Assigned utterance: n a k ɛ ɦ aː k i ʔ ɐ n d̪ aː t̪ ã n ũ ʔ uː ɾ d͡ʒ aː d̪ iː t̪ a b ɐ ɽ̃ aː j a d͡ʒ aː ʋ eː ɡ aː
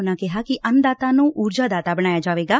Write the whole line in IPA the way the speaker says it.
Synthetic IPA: n a k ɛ ɦ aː k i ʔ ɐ n d̪ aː t̪ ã n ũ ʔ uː ɾ d͡ʒ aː d̪ aː t̪ a b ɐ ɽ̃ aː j a d͡ʒ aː ʋ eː ɡ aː